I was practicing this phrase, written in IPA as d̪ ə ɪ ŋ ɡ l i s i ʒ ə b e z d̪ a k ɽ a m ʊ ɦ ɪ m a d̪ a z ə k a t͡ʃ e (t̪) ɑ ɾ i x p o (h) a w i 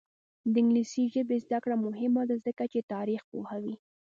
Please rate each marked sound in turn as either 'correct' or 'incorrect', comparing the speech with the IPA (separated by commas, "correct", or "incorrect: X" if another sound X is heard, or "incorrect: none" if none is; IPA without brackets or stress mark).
correct, correct